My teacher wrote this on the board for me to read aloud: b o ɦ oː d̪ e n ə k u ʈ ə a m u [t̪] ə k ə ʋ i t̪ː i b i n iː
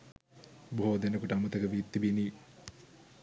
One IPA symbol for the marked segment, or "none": t̪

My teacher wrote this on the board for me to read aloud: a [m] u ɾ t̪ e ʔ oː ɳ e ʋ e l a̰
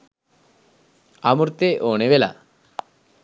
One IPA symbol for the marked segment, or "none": m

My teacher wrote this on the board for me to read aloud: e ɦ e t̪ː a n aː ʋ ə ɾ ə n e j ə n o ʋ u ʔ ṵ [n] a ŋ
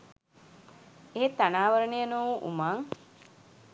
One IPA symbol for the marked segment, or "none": m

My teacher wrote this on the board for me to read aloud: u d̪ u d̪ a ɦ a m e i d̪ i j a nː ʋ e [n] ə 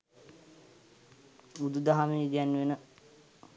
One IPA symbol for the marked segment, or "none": n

